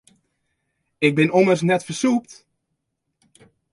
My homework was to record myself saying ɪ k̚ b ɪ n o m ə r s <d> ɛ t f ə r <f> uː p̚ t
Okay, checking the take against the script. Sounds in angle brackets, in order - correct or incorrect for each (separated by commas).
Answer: incorrect, incorrect